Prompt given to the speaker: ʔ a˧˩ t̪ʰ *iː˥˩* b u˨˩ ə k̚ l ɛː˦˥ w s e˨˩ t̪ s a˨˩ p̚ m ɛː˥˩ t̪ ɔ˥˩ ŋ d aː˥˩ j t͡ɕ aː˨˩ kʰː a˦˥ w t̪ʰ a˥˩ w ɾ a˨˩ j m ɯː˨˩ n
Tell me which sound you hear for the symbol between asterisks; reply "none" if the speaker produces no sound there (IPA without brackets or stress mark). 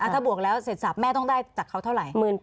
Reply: aː˥˩